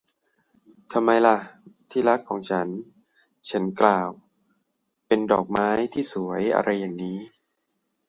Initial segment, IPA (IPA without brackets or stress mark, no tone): t̪ʰ